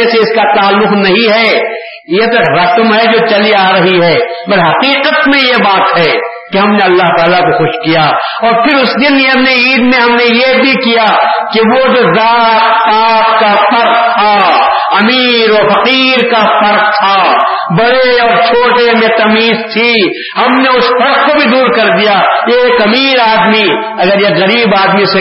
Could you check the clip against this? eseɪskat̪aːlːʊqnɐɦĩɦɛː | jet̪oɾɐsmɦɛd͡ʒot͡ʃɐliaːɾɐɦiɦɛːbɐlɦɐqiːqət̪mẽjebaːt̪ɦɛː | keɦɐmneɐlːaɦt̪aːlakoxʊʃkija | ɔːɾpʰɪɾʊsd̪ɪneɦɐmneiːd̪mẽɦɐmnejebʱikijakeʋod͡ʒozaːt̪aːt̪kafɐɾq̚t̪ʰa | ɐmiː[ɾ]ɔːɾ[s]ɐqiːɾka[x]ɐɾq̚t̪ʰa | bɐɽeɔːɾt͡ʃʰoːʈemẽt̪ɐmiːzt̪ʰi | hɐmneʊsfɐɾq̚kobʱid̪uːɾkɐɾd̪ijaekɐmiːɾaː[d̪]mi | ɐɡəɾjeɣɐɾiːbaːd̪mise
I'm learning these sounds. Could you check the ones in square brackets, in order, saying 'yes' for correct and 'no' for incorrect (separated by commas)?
yes, no, no, yes